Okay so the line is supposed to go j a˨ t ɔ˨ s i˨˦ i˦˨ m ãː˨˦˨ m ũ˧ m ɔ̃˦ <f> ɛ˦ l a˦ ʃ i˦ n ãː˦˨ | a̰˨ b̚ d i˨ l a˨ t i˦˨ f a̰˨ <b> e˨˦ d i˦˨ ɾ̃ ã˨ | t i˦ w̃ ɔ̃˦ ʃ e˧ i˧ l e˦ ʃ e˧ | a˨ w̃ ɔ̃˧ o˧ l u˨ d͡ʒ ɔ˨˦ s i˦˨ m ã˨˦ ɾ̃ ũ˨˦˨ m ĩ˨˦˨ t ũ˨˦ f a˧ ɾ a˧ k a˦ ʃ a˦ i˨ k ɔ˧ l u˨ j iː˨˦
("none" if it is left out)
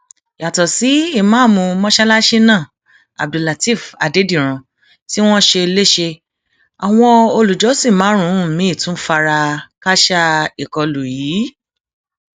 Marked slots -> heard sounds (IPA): ʃ, d

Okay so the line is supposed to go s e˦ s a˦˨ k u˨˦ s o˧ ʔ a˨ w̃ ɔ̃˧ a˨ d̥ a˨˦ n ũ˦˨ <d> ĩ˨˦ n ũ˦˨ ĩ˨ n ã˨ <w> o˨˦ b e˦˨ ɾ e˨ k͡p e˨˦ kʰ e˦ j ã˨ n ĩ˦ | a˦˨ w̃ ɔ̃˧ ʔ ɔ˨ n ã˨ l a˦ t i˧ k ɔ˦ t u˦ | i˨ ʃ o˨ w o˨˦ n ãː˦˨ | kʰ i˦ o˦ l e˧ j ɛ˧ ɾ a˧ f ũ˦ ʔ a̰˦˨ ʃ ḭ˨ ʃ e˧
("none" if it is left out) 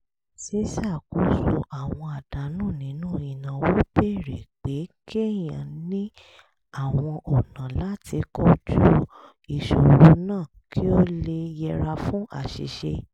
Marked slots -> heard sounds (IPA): n, w

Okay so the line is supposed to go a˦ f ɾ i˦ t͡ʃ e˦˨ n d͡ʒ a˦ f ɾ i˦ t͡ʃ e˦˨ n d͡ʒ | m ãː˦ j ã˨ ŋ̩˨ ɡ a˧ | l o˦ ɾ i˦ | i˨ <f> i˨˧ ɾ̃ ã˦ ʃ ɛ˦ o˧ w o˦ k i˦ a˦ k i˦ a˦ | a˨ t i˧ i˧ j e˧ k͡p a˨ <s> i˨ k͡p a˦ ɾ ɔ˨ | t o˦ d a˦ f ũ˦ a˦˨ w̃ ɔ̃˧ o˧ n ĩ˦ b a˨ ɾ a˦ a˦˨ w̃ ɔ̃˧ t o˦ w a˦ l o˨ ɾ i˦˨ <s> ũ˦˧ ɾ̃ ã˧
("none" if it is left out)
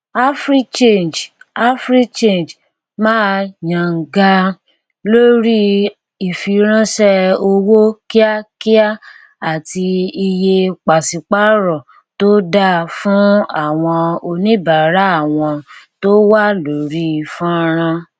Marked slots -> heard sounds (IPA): f, s, f

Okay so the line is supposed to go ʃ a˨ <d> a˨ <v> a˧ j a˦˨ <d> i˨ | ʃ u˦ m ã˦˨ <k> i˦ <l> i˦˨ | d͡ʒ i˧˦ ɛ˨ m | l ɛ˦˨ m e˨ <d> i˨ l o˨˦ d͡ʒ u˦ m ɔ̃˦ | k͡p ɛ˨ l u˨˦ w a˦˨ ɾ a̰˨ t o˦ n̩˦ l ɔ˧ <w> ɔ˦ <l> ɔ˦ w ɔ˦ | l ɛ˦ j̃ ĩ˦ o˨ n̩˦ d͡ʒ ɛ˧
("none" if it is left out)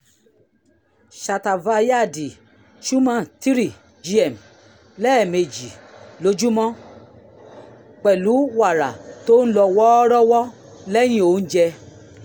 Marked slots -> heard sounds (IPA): t, v, d, t, ɾ, d͡ʒ, w, ɾ

